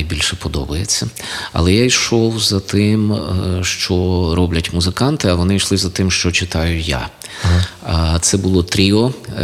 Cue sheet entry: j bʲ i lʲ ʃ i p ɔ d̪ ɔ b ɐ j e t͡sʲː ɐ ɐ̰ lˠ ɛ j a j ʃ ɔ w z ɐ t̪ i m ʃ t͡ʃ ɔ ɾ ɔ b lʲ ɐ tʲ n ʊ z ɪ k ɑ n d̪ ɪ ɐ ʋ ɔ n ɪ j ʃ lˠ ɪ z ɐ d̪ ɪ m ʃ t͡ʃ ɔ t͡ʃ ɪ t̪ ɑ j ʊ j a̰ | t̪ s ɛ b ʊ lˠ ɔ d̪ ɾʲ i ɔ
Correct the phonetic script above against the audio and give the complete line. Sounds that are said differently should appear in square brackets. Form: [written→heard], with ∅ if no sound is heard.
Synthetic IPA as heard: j bʲ i lʲ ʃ [i→ɛ] p ɔ d̪ ɔ b ɐ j e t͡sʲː ɐ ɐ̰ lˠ ɛ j a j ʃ ɔ w z ɐ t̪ [i→ɪ] m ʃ t͡ʃ ɔ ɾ ɔ b lʲ ɐ tʲ [n→m] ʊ z ɪ k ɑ n [d̪→t̪] ɪ ɐ ʋ ɔ n ɪ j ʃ lˠ ɪ z ɐ [d̪→t̪] ɪ m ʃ t͡ʃ ɔ t͡ʃ ɪ t̪ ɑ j ʊ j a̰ | t̪ s ɛ b ʊ lˠ ɔ [d̪→t̪] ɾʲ i ɔ